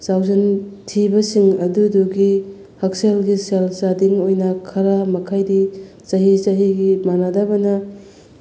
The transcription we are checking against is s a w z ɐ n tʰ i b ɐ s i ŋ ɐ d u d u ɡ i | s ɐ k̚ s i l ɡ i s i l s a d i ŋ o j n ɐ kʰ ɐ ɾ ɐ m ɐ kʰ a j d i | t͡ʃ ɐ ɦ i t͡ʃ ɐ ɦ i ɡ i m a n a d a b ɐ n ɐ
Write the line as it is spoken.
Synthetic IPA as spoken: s a w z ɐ n tʰ i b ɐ s i ŋ ɐ d u d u ɡ i | h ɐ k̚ s e l ɡ i s e l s a d i ŋ o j n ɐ kʰ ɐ ɾ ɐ m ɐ kʰ a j d i | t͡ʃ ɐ ɦ i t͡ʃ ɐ ɦ i ɡ i m a n a d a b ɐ n ɐ